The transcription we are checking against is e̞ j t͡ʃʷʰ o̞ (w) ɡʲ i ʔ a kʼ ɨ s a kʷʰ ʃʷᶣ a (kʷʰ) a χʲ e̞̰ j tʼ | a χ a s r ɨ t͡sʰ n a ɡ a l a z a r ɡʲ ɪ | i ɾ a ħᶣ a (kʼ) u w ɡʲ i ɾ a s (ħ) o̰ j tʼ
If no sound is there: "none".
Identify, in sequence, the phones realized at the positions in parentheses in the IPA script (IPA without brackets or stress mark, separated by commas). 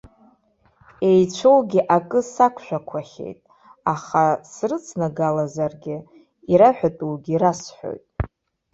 w, kʷʰ, tʼ, ħ